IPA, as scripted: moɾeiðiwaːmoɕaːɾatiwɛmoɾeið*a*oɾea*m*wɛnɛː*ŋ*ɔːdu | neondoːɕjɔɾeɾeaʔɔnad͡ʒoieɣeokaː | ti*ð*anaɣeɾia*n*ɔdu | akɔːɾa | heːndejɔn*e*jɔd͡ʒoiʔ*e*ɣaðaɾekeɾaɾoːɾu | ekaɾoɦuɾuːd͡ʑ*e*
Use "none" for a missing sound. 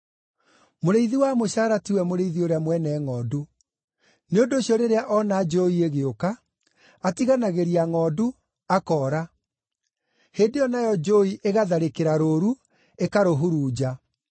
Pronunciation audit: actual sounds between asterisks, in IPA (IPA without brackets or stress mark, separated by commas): i, m, ŋ, ɣ, ŋ, a, e, a